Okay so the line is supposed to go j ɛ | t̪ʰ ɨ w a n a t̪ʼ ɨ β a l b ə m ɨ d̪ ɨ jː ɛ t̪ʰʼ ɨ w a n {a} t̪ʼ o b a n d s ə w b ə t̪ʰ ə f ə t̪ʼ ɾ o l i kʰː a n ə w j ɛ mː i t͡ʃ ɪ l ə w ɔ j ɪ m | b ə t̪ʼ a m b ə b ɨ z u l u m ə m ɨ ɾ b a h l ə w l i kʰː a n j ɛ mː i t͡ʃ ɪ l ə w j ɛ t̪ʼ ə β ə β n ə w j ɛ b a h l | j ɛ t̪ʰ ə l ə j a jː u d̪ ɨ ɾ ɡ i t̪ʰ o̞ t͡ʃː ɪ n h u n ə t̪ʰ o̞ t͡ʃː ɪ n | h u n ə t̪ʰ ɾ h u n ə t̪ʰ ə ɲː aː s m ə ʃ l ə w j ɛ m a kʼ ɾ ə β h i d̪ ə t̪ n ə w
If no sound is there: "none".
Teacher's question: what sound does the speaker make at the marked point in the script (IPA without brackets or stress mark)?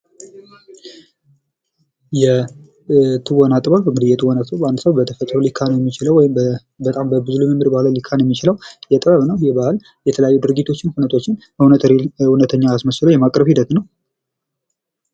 a